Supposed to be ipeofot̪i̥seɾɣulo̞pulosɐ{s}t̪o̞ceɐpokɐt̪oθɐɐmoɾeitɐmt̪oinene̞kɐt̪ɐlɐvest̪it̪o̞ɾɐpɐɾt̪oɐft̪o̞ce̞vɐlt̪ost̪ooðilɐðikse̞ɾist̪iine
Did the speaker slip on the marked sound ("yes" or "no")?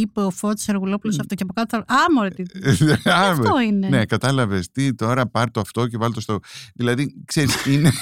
yes